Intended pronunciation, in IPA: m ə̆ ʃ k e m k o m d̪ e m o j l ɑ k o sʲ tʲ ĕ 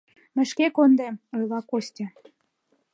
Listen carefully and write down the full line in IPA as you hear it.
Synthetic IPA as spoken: m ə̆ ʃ k e k o n d̪ e m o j l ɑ k o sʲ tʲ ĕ